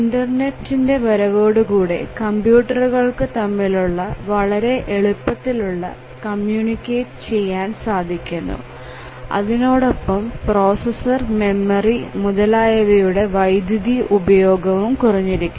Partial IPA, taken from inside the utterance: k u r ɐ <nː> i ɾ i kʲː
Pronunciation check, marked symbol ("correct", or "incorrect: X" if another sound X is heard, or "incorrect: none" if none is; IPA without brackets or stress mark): incorrect: ɲː